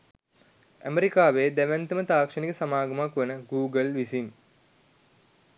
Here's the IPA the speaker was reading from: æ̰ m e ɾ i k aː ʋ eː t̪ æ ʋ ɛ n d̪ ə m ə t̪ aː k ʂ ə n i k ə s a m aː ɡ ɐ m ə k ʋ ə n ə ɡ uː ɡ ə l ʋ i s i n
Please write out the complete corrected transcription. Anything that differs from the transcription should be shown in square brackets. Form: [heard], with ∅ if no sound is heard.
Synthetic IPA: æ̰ m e ɾ i k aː ʋ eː [d̪] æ ʋ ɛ n [t̪] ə m ə t̪ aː k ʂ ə n i k ə s a m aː ɡ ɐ m [a] k ʋ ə n ə ɡ uː ɡ ə l ʋ i s i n